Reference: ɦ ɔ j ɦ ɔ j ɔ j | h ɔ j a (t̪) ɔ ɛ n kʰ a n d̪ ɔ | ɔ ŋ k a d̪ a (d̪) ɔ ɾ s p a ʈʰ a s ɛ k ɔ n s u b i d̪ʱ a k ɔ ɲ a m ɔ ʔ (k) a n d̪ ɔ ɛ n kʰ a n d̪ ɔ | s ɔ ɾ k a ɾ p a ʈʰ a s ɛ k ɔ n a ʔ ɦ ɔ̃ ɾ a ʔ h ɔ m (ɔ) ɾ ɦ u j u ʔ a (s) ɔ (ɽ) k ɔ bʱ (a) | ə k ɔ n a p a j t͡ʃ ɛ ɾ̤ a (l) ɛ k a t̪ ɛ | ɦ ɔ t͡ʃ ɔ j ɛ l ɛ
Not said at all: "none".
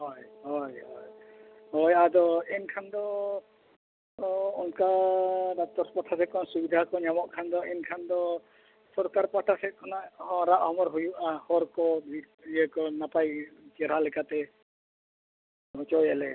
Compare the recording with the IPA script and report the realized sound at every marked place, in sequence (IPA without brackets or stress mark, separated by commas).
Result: d̪, t̪, kʰ, ɔ, h, ɾ, i, l